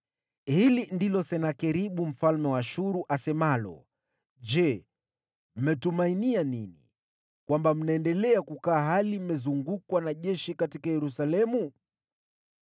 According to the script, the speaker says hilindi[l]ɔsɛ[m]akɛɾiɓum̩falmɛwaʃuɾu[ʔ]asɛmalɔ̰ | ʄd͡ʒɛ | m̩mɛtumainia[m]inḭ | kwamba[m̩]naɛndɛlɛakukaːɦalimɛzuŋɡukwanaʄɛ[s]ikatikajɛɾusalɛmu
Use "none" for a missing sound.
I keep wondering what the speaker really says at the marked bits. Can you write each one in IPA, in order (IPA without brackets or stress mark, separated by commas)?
l, n, ʔ, n, m̩, ʃ